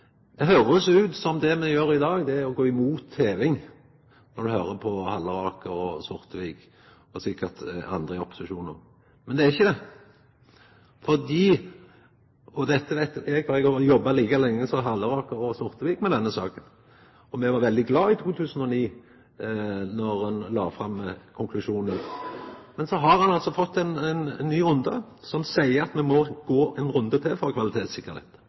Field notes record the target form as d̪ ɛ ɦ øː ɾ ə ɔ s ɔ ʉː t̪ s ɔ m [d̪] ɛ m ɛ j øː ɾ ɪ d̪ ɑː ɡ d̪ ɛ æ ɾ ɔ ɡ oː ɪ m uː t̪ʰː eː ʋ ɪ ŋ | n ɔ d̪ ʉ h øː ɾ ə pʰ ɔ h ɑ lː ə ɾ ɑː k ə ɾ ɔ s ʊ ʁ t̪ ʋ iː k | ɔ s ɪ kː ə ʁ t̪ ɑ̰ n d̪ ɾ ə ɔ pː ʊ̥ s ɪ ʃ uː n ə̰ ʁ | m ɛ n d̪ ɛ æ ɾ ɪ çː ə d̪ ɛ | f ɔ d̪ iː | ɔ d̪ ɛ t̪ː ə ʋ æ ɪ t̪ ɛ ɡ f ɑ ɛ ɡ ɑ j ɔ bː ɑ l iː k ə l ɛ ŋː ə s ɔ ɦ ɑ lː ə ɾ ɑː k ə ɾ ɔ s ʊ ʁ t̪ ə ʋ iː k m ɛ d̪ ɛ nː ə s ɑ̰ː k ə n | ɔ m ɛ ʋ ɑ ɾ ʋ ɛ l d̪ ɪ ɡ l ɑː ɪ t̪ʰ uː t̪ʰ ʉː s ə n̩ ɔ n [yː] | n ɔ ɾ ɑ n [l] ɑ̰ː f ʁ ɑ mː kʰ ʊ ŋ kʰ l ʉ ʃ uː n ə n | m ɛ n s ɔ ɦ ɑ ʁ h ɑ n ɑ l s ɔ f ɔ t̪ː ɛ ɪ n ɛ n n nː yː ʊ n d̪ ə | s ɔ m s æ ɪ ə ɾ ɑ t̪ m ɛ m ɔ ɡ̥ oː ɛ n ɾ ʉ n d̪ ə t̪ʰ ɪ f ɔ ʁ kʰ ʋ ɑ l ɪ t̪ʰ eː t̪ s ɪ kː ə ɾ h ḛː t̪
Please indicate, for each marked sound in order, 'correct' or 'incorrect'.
correct, incorrect: iː, correct

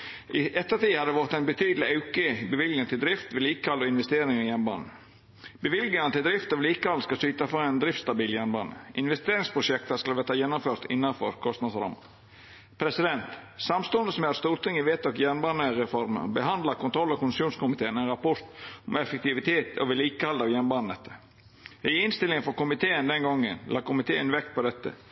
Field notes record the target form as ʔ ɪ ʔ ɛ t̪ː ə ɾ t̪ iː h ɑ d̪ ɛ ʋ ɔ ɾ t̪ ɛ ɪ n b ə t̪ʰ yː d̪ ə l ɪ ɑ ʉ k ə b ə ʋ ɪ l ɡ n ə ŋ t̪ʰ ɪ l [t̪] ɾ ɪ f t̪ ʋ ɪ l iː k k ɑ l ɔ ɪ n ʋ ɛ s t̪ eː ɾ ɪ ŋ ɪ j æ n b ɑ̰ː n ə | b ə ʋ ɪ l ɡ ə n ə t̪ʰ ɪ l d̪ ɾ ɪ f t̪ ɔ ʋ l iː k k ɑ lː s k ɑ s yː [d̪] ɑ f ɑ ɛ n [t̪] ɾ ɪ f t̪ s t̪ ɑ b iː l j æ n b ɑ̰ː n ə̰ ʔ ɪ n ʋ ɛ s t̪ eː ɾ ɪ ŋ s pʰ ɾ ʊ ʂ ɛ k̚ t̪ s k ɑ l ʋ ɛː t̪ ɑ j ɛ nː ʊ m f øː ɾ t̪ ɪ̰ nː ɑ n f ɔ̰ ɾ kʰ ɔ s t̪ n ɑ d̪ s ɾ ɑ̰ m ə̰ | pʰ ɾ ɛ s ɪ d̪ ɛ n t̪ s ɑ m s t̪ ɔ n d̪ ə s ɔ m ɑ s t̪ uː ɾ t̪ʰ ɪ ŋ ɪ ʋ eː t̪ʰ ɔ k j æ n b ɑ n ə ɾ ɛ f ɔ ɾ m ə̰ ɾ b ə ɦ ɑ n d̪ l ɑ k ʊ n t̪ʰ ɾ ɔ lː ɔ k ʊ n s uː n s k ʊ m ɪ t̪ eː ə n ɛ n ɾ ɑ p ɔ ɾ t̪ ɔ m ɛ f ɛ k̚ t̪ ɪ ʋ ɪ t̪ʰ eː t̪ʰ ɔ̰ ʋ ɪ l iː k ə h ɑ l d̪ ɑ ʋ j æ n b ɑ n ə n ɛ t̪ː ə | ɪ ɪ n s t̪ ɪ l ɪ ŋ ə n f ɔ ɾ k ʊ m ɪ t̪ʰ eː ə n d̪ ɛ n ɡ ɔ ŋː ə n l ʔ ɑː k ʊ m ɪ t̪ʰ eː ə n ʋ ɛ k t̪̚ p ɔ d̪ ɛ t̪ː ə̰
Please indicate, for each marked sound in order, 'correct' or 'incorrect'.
incorrect: d̪, incorrect: t̪, incorrect: d̪

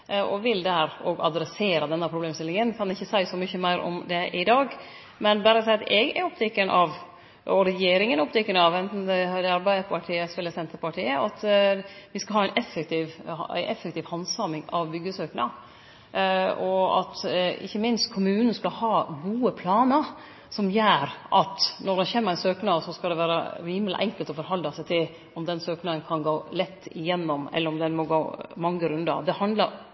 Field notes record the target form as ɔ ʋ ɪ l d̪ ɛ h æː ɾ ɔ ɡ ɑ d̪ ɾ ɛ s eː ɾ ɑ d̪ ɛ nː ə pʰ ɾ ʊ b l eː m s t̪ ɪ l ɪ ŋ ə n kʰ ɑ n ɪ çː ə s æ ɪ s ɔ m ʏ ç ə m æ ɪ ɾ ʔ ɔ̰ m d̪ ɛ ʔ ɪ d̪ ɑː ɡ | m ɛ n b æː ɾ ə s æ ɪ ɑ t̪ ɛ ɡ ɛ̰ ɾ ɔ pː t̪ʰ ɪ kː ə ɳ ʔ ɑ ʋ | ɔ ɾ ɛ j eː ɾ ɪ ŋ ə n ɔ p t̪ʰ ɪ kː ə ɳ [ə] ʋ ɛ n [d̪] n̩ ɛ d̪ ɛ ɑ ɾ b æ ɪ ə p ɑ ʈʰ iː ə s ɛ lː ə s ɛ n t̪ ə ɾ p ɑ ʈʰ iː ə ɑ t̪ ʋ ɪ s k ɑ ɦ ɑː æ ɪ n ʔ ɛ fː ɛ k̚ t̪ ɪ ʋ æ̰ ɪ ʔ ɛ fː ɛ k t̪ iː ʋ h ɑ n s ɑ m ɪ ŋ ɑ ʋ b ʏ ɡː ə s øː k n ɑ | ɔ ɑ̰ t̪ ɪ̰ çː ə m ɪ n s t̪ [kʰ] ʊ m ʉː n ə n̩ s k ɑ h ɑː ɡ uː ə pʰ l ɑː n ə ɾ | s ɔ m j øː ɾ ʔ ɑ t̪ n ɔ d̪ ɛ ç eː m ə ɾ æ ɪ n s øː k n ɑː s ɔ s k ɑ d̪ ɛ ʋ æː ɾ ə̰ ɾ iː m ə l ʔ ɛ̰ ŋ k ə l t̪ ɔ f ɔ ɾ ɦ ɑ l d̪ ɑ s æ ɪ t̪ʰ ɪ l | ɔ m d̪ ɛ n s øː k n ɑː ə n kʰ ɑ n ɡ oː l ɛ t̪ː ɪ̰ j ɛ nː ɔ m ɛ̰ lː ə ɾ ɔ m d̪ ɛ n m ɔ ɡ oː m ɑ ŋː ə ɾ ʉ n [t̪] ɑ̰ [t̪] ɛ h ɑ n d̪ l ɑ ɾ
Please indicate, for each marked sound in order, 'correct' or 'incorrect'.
incorrect: ɑ, incorrect: t̪, correct, incorrect: d̪, incorrect: d̪

